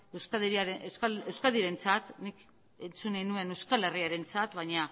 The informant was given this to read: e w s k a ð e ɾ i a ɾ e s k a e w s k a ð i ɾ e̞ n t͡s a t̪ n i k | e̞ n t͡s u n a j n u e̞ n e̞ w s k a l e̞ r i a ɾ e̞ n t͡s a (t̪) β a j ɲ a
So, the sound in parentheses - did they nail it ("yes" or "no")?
yes